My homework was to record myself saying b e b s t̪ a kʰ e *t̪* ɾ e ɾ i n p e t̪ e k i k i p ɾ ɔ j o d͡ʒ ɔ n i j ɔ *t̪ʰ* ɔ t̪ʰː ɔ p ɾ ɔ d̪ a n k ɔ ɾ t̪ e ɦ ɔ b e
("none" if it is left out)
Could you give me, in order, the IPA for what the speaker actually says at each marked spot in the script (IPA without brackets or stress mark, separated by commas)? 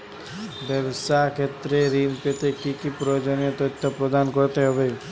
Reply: t̪, t̪